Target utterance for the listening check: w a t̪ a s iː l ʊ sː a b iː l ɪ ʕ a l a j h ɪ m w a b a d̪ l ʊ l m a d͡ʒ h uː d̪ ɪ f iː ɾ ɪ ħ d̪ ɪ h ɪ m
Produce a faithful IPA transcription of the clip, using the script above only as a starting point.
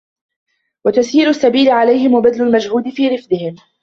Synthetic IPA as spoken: w a t̪ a s iː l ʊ sː a b iː l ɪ ʕ a l a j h ɪ m w a b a d̪ l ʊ l m a d͡ʒ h uː d̪ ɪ f iː ɾ ɪ f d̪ ɪ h ɪ m